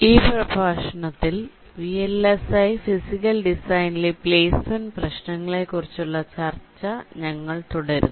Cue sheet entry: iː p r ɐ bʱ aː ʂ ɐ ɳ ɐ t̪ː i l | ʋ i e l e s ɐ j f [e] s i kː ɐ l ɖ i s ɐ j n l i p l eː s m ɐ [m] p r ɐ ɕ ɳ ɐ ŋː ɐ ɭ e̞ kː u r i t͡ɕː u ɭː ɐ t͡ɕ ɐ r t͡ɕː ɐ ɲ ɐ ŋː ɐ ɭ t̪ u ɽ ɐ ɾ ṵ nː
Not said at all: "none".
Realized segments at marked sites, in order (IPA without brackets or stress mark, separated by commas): i, n